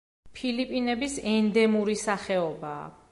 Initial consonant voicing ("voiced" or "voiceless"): voiceless